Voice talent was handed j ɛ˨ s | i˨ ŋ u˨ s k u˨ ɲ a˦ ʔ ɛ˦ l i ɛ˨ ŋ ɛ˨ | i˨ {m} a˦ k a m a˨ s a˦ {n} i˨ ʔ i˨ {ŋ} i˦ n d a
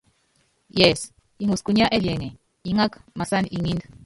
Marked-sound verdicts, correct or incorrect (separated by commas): incorrect, correct, correct